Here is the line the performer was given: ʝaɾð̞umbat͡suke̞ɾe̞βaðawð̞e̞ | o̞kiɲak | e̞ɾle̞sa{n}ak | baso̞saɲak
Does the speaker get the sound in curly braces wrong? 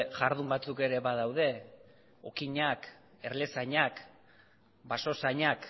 yes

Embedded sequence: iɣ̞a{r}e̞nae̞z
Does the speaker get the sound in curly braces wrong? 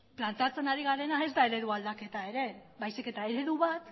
yes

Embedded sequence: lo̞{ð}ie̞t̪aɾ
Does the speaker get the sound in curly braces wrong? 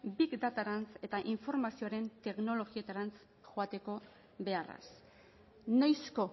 yes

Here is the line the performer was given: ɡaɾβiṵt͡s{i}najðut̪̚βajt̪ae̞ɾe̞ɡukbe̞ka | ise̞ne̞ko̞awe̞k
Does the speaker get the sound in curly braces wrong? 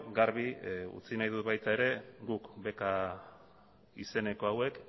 no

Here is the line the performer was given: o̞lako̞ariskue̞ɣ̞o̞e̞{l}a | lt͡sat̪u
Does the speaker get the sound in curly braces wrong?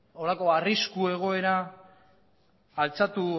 yes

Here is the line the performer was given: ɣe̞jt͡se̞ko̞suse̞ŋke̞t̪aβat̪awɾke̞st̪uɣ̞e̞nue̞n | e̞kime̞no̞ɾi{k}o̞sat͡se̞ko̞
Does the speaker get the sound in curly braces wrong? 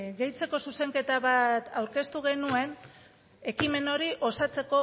yes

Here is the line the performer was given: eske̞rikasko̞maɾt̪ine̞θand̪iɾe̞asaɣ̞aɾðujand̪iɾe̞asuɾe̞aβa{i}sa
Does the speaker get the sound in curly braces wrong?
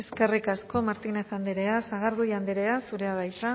yes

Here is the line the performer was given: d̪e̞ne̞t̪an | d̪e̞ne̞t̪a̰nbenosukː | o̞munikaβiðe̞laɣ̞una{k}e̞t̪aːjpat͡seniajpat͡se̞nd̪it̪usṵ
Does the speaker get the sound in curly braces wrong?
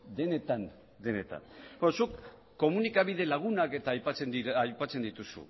no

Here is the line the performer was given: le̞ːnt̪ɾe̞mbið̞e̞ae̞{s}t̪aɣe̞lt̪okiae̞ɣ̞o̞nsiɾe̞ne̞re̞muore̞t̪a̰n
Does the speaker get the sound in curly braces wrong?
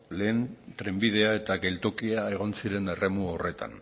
yes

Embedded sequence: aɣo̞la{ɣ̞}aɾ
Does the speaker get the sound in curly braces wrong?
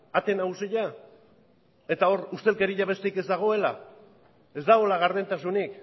no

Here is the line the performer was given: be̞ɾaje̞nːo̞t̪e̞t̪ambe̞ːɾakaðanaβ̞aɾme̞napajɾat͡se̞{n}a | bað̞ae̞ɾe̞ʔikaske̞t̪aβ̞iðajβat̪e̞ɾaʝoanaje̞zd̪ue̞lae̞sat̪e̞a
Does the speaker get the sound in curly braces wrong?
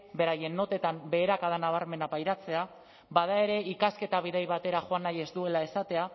yes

